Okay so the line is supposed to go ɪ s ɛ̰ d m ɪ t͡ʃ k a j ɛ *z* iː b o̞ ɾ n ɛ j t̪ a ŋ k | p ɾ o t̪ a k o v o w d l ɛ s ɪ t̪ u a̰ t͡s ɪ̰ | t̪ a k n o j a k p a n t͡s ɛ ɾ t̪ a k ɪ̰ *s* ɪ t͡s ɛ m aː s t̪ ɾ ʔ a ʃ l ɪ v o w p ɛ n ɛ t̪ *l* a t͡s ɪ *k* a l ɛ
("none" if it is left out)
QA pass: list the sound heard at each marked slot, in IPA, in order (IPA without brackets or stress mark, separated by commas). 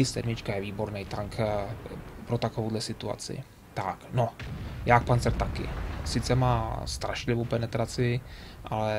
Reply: v, s, ɾ, ʔ